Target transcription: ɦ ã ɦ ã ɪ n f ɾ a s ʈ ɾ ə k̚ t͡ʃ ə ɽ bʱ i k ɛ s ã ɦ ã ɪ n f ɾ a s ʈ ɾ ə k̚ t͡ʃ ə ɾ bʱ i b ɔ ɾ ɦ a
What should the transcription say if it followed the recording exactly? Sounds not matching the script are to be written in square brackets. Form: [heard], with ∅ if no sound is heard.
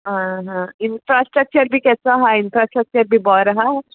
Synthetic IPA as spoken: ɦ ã ɦ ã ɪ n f ɾ a s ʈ ɾ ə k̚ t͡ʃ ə [ɾ] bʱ i k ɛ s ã ɦ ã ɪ n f ɾ a s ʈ ɾ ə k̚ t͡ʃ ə ɾ bʱ i b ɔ ɾ ɦ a